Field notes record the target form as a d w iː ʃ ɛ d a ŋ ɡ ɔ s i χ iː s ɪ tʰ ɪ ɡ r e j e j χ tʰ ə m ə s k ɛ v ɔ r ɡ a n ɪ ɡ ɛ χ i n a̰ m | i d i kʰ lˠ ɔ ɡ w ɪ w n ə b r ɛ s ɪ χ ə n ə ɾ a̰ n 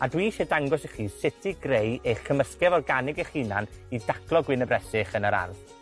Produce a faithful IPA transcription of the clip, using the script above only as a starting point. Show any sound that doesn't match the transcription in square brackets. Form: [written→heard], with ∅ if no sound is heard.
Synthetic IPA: a d w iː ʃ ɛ d a ŋ ɡ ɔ s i χ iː s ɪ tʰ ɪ ɡ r e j e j χ [tʰ→kʰ] ə m ə s k ɛ v ɔ r ɡ a n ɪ ɡ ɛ χ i n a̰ [m→n] | i d [i→a] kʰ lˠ ɔ ɡ w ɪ [w→∅] n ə b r ɛ s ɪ χ ə n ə ɾ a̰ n